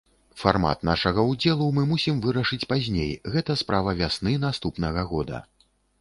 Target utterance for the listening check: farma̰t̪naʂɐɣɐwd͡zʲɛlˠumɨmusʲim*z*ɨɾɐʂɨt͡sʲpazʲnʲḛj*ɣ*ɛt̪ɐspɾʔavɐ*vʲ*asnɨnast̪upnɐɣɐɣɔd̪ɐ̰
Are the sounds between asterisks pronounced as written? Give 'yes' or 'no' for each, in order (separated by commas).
no, yes, yes